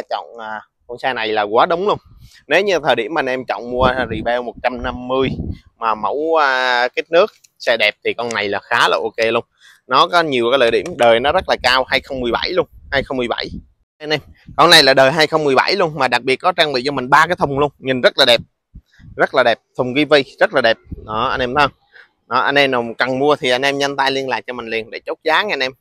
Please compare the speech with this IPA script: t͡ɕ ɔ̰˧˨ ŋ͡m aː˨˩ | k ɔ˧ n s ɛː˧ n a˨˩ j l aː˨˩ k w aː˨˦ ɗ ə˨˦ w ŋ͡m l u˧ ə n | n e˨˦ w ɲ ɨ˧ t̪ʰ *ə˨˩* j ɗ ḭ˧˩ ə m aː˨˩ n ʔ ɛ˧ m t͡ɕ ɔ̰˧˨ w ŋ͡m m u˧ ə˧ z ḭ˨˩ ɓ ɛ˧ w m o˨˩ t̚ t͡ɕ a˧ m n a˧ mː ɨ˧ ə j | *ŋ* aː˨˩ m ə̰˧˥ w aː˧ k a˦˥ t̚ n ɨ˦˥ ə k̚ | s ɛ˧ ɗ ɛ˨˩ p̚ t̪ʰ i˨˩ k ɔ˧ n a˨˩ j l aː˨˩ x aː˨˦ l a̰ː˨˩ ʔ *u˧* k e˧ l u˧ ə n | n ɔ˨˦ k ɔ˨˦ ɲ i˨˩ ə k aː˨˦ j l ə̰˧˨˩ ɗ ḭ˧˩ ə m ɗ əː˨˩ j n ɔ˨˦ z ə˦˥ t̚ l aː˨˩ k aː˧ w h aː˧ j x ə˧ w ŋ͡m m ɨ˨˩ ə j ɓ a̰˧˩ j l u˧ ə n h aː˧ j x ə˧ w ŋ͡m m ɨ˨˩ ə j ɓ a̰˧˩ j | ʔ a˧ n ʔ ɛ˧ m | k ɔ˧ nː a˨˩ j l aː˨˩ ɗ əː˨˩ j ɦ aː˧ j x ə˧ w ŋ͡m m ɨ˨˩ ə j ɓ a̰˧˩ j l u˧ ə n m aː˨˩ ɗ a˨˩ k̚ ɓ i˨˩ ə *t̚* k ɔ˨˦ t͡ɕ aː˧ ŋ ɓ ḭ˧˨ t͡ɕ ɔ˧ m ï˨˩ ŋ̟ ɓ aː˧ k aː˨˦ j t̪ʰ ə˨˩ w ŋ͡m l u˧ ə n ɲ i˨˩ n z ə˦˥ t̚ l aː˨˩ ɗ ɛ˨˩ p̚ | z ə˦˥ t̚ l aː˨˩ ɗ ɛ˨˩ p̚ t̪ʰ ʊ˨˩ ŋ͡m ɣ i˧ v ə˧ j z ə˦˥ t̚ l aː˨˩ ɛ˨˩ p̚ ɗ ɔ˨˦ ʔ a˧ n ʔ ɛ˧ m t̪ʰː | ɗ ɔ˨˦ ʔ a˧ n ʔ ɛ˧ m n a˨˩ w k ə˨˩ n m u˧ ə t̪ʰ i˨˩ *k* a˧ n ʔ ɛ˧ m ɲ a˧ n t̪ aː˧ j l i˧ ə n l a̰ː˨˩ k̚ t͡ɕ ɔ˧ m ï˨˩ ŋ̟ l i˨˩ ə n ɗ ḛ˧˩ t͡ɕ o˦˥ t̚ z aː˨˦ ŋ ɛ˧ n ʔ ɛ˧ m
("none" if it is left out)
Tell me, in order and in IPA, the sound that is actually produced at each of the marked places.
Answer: əː˨˩, m, o˧, t̚, ʔ

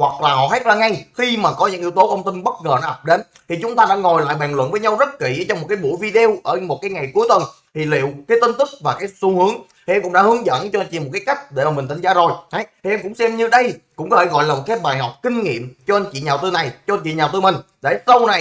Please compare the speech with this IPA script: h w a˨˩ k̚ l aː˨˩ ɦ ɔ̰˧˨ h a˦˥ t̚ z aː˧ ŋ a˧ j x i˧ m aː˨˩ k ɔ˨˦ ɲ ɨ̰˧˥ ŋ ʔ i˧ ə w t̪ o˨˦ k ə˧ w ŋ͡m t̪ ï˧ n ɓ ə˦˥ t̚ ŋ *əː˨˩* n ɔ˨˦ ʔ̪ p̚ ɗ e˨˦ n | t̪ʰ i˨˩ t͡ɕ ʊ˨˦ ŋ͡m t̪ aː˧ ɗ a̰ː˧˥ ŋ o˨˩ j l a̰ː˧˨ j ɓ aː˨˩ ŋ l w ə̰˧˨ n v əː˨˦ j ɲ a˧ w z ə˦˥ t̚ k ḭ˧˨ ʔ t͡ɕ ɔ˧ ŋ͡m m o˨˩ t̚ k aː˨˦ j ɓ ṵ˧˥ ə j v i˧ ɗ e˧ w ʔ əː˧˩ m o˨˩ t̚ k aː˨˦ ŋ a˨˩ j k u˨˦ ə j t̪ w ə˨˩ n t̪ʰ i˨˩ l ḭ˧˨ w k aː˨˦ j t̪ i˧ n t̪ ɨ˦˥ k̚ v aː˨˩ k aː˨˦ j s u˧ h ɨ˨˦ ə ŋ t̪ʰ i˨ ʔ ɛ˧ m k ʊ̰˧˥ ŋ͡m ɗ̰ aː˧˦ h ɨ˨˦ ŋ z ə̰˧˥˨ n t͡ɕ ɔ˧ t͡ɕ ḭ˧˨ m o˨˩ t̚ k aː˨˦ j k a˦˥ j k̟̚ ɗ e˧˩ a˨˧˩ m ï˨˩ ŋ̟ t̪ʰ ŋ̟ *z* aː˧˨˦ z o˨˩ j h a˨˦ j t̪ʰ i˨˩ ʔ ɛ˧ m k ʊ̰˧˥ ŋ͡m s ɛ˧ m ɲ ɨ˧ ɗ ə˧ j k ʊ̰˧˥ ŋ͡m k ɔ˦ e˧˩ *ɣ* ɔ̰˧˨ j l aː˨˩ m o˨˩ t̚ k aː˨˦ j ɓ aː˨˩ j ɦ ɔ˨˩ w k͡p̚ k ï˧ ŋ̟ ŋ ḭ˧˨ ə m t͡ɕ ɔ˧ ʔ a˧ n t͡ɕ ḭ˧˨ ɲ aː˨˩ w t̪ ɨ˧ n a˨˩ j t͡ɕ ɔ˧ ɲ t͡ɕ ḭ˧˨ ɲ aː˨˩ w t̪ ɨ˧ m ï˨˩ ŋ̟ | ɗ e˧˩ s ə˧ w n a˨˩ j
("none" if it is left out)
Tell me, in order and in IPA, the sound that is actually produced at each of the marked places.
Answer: əː˨˩, z, ɣ

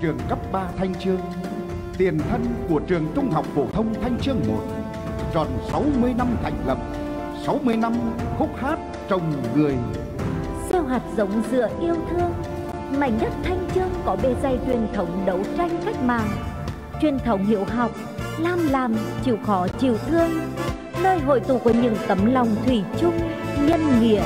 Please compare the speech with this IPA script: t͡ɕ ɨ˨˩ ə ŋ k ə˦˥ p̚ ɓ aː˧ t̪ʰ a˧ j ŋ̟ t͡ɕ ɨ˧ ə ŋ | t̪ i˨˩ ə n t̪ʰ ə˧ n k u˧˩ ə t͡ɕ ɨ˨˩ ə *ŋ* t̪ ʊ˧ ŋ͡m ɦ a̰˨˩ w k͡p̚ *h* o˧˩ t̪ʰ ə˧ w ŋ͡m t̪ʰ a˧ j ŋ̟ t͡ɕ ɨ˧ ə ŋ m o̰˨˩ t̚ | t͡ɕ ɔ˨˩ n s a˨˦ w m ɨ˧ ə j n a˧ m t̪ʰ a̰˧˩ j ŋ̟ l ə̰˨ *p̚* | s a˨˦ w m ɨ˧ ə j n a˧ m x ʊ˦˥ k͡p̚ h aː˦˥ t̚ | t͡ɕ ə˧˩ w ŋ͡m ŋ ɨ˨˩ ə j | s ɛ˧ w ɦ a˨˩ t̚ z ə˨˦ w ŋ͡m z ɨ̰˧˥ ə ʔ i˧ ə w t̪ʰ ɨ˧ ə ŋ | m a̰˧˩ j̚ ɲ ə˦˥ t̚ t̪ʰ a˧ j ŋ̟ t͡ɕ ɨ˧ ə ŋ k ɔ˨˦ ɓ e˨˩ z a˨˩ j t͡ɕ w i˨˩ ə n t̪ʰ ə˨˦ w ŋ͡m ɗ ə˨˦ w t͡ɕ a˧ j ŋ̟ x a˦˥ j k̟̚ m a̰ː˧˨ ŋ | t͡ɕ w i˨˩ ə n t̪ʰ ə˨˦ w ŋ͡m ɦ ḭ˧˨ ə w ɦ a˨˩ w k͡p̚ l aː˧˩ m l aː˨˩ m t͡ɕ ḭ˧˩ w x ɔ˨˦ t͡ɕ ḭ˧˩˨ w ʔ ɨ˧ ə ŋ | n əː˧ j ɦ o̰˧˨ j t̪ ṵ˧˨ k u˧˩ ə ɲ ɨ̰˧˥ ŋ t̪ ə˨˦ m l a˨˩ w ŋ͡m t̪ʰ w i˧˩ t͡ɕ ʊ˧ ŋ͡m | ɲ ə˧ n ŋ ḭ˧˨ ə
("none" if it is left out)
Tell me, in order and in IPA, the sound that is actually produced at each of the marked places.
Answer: ŋ, f, p̚

